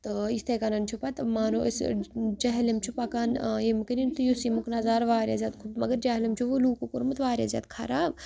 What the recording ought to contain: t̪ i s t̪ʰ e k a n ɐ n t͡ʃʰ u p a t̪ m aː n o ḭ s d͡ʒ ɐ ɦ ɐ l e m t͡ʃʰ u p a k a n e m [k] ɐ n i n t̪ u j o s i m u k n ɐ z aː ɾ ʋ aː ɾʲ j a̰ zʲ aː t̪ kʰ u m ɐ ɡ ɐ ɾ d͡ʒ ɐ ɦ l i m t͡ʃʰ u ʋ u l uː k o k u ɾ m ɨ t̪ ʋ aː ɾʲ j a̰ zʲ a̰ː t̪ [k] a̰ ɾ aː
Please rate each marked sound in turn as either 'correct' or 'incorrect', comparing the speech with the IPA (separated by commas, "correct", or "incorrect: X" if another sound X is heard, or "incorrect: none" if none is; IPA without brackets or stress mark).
correct, incorrect: kʰ